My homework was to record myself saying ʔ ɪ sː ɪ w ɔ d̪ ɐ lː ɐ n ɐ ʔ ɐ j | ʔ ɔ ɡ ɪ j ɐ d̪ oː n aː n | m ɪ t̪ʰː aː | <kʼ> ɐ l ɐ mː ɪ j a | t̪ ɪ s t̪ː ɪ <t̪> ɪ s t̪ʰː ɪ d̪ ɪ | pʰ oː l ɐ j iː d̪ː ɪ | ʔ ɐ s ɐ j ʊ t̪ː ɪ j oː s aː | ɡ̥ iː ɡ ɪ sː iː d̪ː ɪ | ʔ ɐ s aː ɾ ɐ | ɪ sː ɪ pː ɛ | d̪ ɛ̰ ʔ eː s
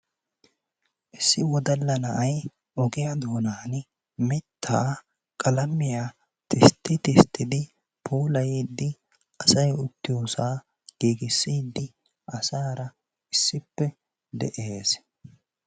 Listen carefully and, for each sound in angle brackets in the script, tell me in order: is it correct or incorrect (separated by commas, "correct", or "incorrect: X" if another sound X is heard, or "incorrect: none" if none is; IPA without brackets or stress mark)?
correct, correct